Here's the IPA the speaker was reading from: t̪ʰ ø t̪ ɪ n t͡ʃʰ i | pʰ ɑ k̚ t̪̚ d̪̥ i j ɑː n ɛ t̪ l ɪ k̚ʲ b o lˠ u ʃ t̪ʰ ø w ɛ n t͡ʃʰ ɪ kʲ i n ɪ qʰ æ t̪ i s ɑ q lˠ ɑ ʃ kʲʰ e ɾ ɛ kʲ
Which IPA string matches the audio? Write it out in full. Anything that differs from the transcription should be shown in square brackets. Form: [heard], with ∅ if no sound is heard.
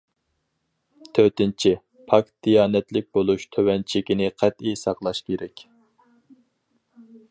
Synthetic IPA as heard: t̪ʰ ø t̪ ɪ n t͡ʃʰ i | pʰ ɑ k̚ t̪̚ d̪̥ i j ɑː n ɛ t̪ l ɪ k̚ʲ b o lˠ u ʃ t̪ʰ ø w ɛ n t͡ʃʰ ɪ kʲ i n ɪ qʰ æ t̪ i s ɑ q lˠ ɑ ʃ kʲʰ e ɾ ɛ kʲ